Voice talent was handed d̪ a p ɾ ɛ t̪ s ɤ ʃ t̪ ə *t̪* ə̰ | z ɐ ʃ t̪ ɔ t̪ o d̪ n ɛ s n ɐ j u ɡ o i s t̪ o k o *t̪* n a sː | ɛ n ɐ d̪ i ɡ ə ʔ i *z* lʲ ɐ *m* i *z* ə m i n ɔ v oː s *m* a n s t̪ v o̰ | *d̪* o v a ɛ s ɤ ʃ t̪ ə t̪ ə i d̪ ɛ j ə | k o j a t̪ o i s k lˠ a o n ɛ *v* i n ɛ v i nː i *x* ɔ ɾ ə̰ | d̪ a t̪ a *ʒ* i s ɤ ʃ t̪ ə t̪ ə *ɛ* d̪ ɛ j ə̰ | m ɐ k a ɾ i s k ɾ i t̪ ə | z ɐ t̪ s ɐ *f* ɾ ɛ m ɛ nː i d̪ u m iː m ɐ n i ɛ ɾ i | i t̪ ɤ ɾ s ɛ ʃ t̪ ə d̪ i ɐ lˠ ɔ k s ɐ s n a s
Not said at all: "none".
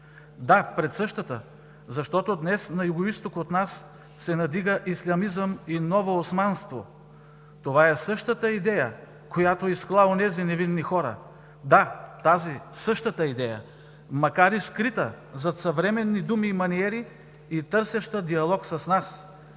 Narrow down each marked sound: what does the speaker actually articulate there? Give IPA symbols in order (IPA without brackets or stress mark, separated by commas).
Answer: t̪, t̪, s, m, z, m, t̪, z, x, z, i, v